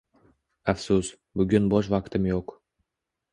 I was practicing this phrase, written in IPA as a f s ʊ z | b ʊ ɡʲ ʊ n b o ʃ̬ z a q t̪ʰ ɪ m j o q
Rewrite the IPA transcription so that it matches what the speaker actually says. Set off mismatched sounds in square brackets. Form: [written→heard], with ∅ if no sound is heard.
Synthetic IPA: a f s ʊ [z→s] | b ʊ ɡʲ ʊ n b [o→ɒ] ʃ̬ [z→v] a q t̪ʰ ɪ m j o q